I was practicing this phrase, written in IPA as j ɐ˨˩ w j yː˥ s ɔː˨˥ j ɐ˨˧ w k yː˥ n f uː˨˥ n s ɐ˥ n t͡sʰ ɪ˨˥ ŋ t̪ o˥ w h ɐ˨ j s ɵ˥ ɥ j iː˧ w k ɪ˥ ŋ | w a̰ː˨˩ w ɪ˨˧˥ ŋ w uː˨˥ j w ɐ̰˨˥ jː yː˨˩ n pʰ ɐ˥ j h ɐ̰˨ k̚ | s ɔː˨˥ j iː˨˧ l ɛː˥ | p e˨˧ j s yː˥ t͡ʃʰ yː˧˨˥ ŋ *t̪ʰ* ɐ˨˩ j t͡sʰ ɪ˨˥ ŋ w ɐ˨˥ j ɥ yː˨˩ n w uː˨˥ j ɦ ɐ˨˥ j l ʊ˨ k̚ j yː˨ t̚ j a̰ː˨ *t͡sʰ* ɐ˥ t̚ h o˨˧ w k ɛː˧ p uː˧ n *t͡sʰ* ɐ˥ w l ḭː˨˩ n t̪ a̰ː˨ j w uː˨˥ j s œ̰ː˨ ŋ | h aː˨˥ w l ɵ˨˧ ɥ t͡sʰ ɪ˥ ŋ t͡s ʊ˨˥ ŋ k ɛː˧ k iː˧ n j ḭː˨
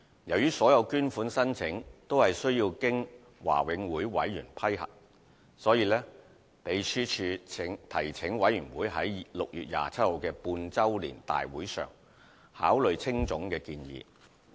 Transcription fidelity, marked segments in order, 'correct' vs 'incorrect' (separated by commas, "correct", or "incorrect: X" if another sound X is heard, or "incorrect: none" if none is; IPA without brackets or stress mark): correct, correct, incorrect: t͡s